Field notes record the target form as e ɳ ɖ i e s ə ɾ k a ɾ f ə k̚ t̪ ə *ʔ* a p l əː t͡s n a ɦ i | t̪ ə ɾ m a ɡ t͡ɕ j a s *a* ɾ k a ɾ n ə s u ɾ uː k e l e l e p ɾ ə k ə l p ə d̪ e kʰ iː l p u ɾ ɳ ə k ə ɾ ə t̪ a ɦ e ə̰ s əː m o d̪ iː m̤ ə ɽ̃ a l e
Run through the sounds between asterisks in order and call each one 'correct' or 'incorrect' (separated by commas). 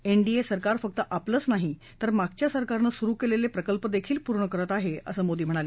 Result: correct, incorrect